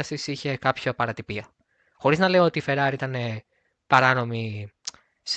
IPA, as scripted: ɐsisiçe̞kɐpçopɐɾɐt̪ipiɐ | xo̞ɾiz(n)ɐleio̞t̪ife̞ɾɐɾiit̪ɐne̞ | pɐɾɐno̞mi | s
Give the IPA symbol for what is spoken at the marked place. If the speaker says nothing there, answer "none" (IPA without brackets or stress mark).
n